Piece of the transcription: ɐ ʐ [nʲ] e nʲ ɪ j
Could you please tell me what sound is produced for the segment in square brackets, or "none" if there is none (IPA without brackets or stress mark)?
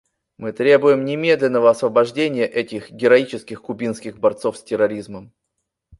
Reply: dʲ